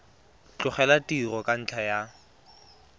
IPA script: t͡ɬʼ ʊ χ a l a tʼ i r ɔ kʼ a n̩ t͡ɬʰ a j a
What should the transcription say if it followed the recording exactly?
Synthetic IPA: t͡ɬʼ ʊ χ ɛ l a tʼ i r ɔ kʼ a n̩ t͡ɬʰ a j a